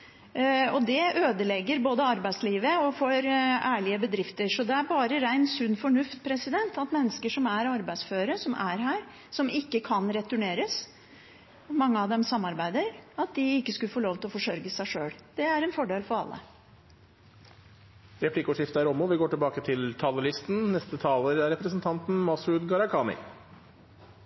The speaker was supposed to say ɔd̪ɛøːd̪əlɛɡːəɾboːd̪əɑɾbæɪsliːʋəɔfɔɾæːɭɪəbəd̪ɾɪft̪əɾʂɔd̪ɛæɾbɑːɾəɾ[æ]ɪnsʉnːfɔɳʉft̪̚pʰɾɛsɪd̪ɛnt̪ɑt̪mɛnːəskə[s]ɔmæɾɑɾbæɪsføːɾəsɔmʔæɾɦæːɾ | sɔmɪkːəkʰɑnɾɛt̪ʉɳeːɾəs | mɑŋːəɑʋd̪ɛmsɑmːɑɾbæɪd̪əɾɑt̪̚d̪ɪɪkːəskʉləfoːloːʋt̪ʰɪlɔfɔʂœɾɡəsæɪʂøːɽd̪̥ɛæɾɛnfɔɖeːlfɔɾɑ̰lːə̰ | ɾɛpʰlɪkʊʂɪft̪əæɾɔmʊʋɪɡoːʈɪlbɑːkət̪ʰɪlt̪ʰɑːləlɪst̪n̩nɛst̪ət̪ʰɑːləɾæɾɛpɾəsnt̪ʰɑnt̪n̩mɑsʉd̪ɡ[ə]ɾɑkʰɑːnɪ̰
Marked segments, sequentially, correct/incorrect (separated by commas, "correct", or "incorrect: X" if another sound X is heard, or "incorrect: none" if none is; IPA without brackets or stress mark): correct, incorrect: ʂ, incorrect: ɑ